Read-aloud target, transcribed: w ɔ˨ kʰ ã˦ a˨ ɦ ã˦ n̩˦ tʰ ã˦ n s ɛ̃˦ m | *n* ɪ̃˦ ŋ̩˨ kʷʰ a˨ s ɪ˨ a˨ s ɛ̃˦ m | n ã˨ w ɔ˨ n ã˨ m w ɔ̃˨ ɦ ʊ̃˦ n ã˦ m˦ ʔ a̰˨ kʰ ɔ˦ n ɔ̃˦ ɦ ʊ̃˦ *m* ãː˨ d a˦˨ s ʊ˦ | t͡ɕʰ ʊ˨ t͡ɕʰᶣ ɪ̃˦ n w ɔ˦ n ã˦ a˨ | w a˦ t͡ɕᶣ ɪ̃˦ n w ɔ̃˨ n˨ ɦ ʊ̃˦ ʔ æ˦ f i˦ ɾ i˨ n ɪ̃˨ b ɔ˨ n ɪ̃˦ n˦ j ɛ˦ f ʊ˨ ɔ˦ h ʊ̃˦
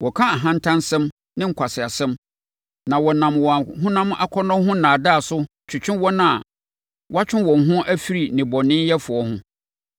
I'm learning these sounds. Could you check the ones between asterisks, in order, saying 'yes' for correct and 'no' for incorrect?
yes, no

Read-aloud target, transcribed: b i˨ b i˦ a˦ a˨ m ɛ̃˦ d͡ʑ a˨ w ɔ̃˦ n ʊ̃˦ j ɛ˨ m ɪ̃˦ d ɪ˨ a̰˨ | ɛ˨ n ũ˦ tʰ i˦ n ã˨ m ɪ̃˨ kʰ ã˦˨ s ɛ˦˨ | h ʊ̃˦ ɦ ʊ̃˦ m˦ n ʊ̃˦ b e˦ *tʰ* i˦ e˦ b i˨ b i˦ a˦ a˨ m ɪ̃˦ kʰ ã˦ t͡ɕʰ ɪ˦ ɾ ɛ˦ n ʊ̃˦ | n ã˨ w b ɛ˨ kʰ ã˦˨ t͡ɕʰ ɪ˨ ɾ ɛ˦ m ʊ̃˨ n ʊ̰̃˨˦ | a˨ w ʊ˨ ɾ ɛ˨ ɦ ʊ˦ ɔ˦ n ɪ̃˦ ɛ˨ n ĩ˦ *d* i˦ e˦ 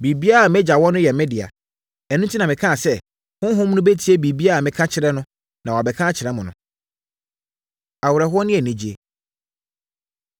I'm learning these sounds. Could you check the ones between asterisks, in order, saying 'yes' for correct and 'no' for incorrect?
yes, no

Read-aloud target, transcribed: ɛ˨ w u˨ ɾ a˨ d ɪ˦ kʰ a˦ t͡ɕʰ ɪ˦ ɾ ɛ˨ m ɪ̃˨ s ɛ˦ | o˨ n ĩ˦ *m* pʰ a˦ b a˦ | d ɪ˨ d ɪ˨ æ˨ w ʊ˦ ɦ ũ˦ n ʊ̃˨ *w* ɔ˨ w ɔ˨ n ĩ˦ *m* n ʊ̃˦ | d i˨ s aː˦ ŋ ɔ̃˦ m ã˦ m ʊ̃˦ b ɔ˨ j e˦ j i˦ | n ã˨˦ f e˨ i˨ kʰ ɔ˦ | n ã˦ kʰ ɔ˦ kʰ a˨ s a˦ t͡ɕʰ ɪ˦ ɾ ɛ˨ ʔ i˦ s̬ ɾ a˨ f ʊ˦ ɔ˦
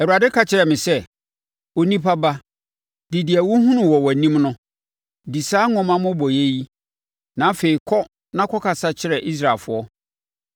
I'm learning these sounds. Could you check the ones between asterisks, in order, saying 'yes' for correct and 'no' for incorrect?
no, yes, yes

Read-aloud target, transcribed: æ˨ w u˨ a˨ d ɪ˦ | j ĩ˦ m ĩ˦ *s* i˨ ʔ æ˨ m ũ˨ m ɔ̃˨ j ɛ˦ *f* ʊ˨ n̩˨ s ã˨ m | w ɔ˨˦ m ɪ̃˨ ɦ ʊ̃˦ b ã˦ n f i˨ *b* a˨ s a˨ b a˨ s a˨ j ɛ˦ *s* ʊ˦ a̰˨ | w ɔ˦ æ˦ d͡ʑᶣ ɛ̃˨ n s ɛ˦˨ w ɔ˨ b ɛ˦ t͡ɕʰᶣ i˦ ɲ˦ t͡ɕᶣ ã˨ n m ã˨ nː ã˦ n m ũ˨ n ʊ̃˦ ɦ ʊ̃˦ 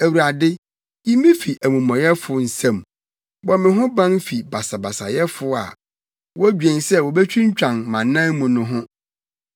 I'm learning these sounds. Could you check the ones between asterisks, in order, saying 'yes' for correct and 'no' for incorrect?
no, yes, yes, no

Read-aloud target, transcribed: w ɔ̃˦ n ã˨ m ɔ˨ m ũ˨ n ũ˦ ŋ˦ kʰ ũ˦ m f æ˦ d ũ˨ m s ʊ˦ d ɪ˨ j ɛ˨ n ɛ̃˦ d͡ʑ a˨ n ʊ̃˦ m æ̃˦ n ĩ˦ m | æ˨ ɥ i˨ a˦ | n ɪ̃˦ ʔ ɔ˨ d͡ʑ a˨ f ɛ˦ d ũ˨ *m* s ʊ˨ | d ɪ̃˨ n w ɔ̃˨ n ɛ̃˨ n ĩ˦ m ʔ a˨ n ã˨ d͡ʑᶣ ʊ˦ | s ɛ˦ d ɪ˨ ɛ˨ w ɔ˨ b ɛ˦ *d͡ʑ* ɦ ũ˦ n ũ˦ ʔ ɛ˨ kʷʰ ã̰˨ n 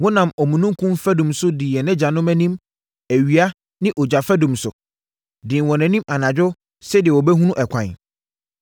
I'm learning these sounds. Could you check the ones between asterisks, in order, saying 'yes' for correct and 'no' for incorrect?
yes, no

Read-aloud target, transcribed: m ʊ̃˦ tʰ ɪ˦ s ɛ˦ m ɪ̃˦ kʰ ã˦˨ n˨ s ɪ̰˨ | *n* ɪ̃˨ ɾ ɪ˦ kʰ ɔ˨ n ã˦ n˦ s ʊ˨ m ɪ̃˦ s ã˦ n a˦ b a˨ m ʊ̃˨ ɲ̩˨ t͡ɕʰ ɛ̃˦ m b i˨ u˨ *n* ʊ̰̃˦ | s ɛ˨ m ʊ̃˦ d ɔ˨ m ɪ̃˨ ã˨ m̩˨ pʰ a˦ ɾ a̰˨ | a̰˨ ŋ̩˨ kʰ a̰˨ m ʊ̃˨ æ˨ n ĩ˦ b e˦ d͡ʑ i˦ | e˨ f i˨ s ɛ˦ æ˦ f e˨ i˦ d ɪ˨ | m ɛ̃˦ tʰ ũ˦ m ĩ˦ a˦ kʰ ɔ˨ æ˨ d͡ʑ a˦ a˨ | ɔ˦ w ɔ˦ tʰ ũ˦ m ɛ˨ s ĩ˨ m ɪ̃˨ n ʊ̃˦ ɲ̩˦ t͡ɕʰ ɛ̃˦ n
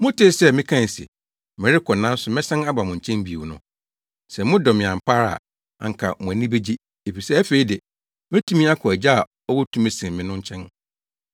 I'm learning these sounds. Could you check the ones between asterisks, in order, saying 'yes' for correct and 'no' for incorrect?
no, yes

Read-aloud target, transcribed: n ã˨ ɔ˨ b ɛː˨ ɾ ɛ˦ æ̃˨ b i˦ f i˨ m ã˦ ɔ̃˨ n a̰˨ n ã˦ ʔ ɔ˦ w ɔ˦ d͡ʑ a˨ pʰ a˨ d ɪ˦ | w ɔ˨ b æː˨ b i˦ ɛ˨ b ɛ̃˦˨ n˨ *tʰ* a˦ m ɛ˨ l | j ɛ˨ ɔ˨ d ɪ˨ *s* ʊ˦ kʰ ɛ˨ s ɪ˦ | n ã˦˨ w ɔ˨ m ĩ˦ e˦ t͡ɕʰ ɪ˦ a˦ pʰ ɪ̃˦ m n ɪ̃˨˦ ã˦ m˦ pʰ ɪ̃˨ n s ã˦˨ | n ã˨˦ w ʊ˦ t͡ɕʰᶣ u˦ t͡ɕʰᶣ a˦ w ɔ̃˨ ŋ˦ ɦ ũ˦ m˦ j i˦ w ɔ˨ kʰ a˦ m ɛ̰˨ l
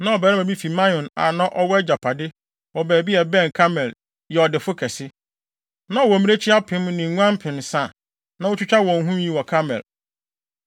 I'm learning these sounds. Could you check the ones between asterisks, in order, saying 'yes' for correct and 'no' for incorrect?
no, no

